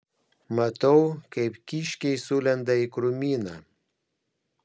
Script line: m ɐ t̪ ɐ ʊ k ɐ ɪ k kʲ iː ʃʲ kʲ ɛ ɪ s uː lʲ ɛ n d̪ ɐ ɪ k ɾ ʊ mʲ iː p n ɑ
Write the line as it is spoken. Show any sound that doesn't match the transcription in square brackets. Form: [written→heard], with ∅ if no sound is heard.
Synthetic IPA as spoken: m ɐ t̪ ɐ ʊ k ɐ ɪ [k→p] kʲ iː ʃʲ kʲ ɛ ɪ s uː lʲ ɛ n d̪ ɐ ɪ k ɾ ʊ mʲ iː [p→∅] n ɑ